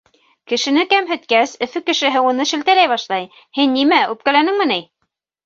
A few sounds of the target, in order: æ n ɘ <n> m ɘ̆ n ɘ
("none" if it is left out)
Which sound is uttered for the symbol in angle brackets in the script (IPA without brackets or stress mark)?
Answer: ŋ